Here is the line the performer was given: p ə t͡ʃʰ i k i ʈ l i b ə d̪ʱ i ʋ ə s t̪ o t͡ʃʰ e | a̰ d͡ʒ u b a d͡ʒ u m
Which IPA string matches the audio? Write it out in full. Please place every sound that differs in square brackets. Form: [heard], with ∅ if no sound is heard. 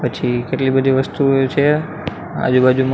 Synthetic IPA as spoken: p ə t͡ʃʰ i k [e] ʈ l i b ə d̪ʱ i ʋ ə s t̪ [u] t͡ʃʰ e | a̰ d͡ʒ u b a d͡ʒ u m